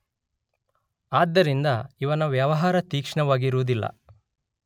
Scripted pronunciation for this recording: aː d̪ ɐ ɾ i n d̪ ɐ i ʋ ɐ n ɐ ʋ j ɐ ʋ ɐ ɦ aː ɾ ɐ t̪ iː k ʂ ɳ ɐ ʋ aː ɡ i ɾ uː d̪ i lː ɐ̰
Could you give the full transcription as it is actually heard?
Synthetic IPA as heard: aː d̪ː ɐ ɾ i n d̪ ɐ i ʋ ɐ n ɐ ʋ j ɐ ʋ ɐ ɦ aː ɾ ɐ t̪ iː k ʂ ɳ ɐ ʋ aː ɡ i ɾ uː d̪ i lː ɐ̰